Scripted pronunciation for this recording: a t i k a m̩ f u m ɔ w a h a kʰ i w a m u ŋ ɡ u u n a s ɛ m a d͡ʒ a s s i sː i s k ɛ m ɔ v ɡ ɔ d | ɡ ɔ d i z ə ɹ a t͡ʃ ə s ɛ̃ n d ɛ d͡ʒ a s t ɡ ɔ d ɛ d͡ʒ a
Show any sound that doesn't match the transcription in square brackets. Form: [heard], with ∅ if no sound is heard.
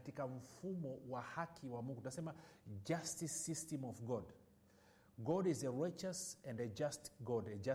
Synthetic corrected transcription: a t i k a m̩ f u m ɔ w a h a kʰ i w a m u ŋ ɡ u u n a s ɛ m a d͡ʒ a s [t] i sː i s [t] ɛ m ɔ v ɡ ɔ d | ɡ ɔ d i z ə ɹ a t͡ʃ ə s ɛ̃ n d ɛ d͡ʒ a s t ɡ ɔ d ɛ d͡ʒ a